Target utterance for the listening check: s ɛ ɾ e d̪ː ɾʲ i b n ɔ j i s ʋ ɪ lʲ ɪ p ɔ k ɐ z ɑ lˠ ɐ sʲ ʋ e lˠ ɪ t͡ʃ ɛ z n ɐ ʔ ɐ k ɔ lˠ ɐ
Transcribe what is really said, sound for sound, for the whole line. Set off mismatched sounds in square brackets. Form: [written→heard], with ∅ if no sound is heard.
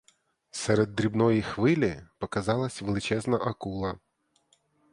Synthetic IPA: s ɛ ɾ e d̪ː ɾʲ i b n ɔ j i [s→x] ʋ ɪ lʲ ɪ p ɔ k ɐ z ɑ lˠ ɐ sʲ ʋ e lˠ ɪ t͡ʃ ɛ z n ɐ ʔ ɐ k [ɔ→u] lˠ ɐ